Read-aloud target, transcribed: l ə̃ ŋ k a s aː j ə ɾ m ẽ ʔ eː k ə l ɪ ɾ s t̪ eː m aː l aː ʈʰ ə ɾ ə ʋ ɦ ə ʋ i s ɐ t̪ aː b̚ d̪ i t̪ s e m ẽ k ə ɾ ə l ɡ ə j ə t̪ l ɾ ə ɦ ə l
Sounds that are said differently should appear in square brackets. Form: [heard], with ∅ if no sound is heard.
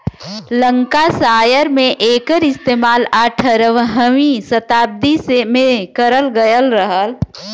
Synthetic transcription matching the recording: l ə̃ ŋ k a s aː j ə ɾ m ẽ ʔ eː k ə [ɾ] ɪ [∅] s t̪ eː m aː l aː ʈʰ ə ɾ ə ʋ ɦ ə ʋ i s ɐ t̪ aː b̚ d̪ i [∅] s e m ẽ k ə ɾ ə l ɡ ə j ə [∅] l ɾ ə ɦ ə l